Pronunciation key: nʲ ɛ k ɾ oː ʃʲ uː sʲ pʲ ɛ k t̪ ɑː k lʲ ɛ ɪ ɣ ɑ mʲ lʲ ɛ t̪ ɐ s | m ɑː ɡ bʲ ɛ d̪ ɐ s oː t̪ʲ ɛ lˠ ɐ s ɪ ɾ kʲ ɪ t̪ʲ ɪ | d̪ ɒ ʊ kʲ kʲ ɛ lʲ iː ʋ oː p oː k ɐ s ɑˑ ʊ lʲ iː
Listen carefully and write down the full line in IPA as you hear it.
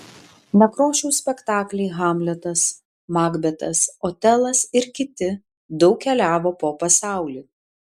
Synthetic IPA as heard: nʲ ɛ k ɾ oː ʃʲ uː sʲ pʲ ɛ k t̪ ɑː k lʲ ɛ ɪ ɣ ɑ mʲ lʲ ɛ t̪ ɐ s | m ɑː ɡ bʲ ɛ t̪ ɐ s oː t̪ʲ ɛ lˠ ɐ s ɪ ɾ kʲ ɪ t̪ʲ ɪ | d̪ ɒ ʊ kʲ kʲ ɛ lʲ æː ʋ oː p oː p ɐ s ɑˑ ʊ lʲ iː

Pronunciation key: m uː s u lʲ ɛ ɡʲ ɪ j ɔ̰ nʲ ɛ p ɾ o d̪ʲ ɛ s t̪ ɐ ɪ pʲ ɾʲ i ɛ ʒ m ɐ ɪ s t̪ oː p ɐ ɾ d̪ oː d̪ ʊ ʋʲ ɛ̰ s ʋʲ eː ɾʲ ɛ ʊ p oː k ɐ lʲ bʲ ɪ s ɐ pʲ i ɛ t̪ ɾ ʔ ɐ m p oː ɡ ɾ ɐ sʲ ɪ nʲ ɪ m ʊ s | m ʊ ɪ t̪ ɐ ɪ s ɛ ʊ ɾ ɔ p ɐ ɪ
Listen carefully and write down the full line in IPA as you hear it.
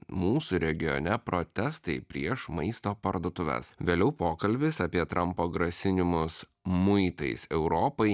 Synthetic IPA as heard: m uː s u ɾʲ ɛ ɡʲ ɪ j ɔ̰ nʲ ɛ p ɾ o t̪ʲ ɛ s t̪ ɐ ɪ pʲ ɾʲ i ɛ ʃ m ɐ ɪ s t̪ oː p ɐ ɾ d̪ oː t̪ ʊ ʋʲ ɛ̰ s ʋʲ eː lʲ ɛ ʊ p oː k ɐ lʲ bʲ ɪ s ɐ pʲ i ɛ t̪ ɾ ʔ ɐ m p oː ɡ ɾ ɐ sʲ ɪ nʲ ɪ m ʊ s | m ʊ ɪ t̪ ɐ ɪ s ɛ ʊ ɾ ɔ p ɐ ɪ

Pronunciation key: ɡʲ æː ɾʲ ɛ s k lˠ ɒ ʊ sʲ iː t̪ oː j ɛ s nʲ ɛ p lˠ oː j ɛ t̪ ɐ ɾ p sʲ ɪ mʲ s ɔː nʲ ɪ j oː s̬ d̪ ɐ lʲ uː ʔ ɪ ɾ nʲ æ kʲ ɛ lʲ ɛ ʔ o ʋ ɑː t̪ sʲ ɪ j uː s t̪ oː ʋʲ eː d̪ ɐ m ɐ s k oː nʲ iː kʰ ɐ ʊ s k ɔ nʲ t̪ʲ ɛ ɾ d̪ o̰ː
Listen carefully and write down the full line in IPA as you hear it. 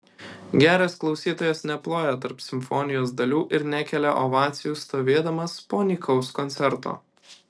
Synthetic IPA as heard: ɡʲ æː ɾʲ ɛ s k lˠ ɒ ʊ sʲ iː t̪ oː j ɛ s nʲ ɛ p lˠ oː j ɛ t̪ ɐ ɾ p sʲ ɪ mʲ f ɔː nʲ ɪ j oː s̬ d̪ ɐ lʲ uː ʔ ɪ ɾ nʲ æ kʲ ɛ lʲ ɛ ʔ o ʋ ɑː t̪ sʲ ɪ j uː s t̪ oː ʋʲ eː d̪ ɐ m ɐ s p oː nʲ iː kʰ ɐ ʊ s k ɔ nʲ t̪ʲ ɛ ɾ t̪ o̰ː

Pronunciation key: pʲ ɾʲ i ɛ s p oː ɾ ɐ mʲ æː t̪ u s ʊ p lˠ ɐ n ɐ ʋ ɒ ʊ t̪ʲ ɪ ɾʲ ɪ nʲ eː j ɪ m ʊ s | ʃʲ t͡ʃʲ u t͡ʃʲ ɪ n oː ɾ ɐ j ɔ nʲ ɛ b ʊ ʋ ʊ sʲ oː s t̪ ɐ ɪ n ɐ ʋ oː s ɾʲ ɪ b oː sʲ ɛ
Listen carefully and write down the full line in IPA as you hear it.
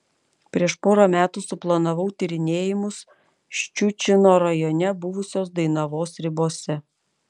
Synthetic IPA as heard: pʲ ɾʲ i ɛ ʃ p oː ɾ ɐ mʲ æː t̪ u s ʊ p lˠ ɐ n ɐ ʋ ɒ ʊ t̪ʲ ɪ ɾʲ ɪ nʲ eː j ɪ m ʊ s | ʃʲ t͡ʃʲ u t͡ʃʲ ɪ n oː ɾ ɐ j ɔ nʲ ɛ b ʊ ʋ ʊ sʲ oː s d̪ ɐ ɪ n ɐ ʋ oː s ɾʲ ɪ b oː sʲ ɛ

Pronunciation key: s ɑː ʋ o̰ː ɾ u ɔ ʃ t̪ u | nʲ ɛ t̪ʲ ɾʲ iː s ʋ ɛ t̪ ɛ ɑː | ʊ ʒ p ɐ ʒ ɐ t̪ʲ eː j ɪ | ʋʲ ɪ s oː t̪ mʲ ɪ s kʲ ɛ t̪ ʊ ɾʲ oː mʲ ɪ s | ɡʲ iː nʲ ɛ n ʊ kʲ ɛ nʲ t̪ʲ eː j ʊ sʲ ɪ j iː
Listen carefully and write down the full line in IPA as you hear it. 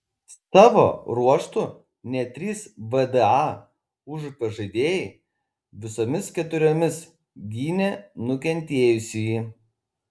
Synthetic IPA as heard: s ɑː ʋ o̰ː ɾ u ɔ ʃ t̪ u | nʲ ɛ t̪ʲ ɾʲ iː s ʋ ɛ d̪ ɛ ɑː | ʊ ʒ p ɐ ʒ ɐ d̪ʲ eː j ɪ | ʋʲ ɪ s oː mʲ ɪ s kʲ ɛ t̪ ʊ ɾʲ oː mʲ ɪ s | ɡʲ iː nʲ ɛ n ʊ kʲ ɛ nʲ t̪ʲ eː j ʊ sʲ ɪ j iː

